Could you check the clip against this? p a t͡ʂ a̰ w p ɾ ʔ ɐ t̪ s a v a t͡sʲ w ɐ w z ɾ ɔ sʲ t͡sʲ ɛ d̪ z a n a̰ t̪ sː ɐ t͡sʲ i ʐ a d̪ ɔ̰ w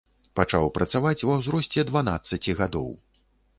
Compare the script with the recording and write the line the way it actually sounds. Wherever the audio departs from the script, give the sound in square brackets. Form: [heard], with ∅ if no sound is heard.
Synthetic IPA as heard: p a t͡ʂ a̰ w p ɾ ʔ ɐ t̪ s a v a t͡sʲ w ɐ w z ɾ ɔ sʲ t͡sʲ ɛ d̪ [v] a n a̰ t̪ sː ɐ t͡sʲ i [ɣ] a d̪ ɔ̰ w